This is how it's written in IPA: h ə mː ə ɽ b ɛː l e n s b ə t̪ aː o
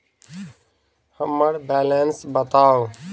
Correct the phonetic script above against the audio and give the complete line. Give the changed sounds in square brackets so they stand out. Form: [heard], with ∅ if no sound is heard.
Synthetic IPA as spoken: h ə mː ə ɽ b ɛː l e n s b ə t̪ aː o